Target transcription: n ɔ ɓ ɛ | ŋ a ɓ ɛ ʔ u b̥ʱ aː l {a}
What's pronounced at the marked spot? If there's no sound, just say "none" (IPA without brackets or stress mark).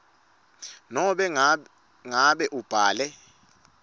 ɛ